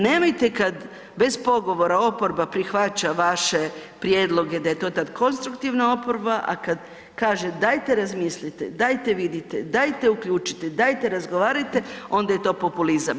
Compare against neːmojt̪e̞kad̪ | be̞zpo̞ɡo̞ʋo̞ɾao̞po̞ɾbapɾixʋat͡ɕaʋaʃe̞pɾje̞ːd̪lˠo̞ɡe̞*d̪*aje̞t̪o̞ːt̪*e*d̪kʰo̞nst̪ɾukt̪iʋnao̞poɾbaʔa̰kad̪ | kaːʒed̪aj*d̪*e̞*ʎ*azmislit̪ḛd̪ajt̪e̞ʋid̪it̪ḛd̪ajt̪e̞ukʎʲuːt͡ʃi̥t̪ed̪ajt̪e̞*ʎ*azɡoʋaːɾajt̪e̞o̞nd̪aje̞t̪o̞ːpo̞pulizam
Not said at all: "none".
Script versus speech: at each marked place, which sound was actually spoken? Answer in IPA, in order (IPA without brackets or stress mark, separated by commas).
d̪, a, t̪, ɾ, ɾ